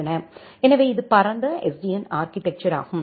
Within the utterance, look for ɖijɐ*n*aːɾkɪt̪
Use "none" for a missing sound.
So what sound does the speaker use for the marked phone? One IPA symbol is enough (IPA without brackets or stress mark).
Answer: n